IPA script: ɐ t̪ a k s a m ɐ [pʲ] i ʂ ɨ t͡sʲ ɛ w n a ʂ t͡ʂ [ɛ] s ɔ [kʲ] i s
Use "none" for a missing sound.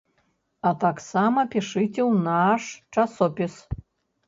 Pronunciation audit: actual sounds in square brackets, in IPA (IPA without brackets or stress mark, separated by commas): pʲ, a, pʲ